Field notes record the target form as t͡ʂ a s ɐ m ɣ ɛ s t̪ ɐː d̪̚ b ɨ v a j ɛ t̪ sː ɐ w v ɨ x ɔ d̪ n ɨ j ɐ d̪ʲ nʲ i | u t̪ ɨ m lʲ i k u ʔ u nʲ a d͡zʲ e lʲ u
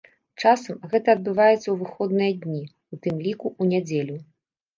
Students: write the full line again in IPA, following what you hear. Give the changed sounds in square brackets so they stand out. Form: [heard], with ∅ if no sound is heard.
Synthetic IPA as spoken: t͡ʂ a s ɐ m ɣ ɛ [∅] t̪ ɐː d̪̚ b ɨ v a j ɛ t̪ sː ɐ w v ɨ x ɔ d̪ n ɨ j ɐ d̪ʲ nʲ i | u t̪ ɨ m lʲ i k u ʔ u nʲ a d͡zʲ e lʲ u